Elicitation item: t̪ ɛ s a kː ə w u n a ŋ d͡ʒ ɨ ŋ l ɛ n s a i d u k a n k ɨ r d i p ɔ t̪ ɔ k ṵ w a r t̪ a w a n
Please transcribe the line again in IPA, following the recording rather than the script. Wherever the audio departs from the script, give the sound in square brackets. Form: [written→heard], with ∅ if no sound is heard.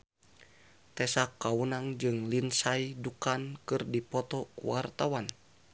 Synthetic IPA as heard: t̪ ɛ s a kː [ə→a] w u n a ŋ d͡ʒ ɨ ŋ l [ɛ→i] n s a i d u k a n k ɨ r d i p ɔ t̪ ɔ k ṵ w a r t̪ a w a n

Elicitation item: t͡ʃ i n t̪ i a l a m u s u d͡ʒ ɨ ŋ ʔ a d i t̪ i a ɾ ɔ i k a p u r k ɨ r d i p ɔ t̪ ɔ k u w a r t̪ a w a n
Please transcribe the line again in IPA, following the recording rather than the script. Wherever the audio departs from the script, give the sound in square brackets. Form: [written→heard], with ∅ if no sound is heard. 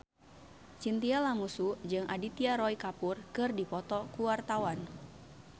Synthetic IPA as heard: t͡ʃ i n t̪ i a l a m u s u d͡ʒ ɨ ŋ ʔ a d i t̪ i a ɾ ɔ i k a p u r k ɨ r d i p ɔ t̪ ɔ k u w a r t̪ a w a n

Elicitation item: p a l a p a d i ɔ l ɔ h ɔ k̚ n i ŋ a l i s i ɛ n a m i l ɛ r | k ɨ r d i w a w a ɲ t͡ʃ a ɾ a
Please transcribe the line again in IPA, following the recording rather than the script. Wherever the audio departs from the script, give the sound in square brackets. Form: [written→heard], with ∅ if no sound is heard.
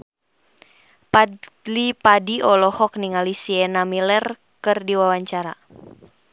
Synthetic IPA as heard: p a l [a→i] p a d i ɔ l ɔ h ɔ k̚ n i ŋ a l i s i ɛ n a m i l ɛ r | k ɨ r d i w a w a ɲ t͡ʃ a ɾ a

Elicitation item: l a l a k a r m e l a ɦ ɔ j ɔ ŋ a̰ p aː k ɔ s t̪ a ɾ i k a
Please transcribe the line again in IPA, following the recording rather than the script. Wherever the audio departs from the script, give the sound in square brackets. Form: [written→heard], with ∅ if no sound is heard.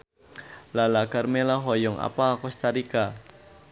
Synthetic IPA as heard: l a l a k a r m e l a ɦ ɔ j ɔ ŋ a̰ p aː k ɔ s t̪ a ɾ i k a

